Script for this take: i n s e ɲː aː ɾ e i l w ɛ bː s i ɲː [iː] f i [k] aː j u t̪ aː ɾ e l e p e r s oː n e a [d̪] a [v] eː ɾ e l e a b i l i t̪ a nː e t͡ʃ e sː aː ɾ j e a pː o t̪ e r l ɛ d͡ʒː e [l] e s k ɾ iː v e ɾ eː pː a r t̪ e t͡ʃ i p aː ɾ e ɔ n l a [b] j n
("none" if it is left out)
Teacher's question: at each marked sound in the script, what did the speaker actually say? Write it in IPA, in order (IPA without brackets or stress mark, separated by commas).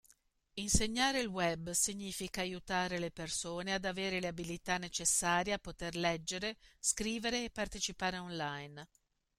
iː, k, d̪, v, ɾ, none